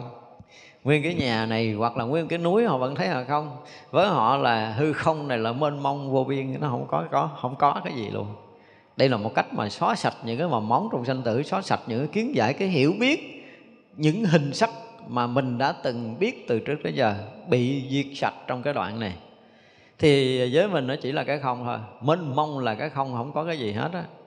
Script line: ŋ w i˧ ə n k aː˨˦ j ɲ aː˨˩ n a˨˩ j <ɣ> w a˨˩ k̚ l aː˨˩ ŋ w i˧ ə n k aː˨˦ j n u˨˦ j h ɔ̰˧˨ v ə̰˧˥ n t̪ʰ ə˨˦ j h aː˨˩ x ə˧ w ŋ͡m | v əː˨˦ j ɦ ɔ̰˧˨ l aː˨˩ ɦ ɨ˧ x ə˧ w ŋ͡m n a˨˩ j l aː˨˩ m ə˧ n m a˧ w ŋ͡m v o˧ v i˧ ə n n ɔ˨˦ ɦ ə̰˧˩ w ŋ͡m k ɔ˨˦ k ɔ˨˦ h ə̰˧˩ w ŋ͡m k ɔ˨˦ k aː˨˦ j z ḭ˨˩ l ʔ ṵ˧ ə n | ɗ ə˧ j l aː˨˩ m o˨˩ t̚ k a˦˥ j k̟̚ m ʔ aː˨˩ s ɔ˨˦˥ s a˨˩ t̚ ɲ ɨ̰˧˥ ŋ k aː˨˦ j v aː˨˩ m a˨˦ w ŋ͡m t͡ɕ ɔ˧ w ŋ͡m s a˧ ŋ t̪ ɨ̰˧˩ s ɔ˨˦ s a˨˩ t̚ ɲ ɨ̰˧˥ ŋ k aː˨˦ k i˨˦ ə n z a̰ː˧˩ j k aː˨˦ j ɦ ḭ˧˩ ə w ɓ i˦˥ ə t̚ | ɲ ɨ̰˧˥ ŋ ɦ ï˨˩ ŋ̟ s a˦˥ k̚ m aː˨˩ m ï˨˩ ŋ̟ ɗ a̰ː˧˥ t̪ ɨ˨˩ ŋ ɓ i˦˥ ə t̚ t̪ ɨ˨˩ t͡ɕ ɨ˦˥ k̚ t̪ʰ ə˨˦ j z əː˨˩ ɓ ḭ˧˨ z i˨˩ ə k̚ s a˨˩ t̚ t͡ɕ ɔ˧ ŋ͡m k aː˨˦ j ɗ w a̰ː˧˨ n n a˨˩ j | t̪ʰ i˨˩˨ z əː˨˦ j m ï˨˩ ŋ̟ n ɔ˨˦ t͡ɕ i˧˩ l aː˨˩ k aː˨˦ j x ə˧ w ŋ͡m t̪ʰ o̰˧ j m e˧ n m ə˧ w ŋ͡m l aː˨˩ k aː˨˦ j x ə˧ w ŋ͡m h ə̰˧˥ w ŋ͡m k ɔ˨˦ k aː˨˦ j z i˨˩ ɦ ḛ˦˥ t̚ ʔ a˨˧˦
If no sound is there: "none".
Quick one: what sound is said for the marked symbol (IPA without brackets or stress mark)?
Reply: ɣ